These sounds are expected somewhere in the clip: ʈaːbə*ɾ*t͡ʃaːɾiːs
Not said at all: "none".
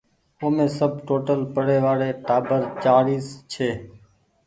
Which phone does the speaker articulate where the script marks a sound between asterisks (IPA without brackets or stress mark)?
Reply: ɾ